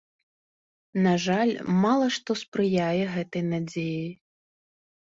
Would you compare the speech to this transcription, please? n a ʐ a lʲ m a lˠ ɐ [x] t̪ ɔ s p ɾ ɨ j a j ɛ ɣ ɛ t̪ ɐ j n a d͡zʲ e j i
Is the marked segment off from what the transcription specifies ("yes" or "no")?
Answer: yes